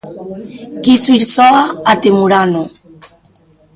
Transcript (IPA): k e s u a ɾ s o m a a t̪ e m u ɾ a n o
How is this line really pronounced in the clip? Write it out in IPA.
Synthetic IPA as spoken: k i s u i ɾ s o a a t̪ e m u ɾ a n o